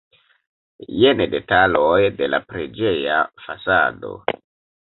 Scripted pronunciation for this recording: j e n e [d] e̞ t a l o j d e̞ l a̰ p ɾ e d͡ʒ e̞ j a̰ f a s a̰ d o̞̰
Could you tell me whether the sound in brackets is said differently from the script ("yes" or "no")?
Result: no